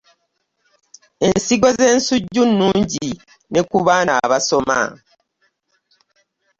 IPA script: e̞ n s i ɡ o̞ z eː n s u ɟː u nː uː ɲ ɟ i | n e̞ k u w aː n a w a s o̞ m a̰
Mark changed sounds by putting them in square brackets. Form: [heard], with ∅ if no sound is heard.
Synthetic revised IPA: e̞ n s i ɡ o̞ z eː n s u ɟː u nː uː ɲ ɟ i | n e̞ k u [β] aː n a [β] a s o̞ m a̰